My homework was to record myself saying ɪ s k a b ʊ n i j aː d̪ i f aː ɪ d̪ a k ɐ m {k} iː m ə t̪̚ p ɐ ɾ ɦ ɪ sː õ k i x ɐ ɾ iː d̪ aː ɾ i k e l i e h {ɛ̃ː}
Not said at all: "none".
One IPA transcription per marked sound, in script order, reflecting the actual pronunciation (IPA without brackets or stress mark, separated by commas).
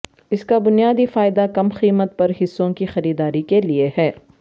x, ɛː